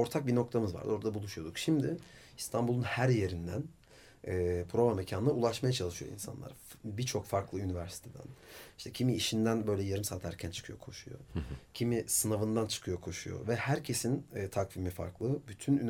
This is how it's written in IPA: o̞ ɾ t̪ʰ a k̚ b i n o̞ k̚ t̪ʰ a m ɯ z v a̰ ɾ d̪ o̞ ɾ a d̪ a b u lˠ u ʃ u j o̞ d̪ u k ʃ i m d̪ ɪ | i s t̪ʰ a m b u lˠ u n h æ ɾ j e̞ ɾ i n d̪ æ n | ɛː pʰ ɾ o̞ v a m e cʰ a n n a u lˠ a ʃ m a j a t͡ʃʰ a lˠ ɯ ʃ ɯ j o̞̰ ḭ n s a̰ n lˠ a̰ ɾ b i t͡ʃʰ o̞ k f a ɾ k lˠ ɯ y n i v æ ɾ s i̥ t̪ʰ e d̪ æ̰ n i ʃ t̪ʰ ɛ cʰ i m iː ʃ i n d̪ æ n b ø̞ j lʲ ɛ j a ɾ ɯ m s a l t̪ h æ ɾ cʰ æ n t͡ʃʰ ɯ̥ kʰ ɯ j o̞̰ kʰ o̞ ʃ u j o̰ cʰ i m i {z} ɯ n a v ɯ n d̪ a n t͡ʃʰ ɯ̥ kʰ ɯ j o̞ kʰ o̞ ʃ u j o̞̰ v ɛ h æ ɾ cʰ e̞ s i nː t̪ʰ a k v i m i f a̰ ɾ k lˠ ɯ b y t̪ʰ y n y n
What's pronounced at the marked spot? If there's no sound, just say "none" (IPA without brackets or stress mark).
s